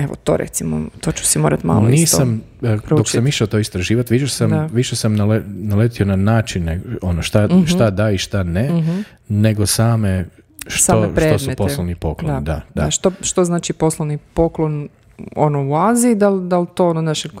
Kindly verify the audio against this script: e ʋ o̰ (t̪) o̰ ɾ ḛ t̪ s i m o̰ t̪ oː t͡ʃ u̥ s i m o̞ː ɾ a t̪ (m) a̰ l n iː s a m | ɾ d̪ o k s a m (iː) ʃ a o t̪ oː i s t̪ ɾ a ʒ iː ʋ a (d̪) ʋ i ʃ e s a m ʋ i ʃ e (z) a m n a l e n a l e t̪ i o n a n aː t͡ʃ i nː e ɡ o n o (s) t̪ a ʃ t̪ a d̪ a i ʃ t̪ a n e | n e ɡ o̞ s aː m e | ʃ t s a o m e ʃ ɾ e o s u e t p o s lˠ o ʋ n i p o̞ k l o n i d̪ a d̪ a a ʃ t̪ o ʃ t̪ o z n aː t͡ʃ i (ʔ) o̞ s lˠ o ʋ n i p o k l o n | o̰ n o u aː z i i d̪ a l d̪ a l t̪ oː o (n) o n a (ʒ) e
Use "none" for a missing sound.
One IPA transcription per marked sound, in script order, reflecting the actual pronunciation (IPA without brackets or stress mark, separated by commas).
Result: t̪, m, i, t̪, s, ʃ, p, n, ʃ